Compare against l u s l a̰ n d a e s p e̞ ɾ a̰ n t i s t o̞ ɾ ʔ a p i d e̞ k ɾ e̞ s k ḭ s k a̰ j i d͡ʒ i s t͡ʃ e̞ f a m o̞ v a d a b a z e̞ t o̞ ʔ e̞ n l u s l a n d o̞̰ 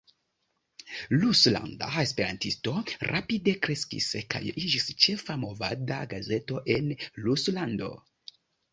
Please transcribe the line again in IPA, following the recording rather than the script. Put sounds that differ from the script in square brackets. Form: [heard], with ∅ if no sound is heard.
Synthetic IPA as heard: l u s l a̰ n d a e s p e̞ ɾ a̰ n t i s t o̞ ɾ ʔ a p i d e̞ k ɾ e̞ s k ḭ s k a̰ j i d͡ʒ i s t͡ʃ e̞ f a m o̞ v a d a [ɡ] a z e̞ t o̞ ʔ e̞ n l u s l a n d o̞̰